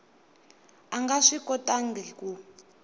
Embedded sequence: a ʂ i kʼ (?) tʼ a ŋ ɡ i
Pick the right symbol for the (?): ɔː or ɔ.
ɔ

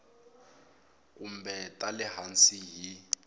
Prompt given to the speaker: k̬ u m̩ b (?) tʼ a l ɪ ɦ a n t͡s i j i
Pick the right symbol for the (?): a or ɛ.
ɛ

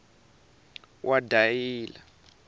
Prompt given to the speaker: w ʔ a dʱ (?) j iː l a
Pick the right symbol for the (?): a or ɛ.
a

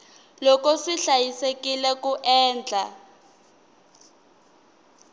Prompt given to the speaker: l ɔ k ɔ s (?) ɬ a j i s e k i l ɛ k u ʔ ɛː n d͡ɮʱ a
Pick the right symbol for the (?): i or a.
i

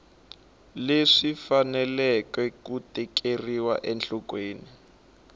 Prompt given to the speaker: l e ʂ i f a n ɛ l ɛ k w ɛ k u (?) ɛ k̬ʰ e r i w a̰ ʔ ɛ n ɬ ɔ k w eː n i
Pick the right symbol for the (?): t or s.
t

